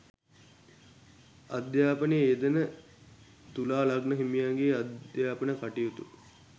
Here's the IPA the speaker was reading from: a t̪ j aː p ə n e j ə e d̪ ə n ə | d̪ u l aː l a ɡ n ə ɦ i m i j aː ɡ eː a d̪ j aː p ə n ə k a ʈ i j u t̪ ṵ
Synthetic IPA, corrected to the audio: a d̪ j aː p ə n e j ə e d̪ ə n ə | t̪ u l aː l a ɡ n ə ɦ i m i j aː ɡ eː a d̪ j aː p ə n ə k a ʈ i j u t̪ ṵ